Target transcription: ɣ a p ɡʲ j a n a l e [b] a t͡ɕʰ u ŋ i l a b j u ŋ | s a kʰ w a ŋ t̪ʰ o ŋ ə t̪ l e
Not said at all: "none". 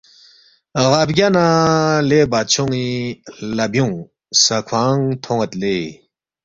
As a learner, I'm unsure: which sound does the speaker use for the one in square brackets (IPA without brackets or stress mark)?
b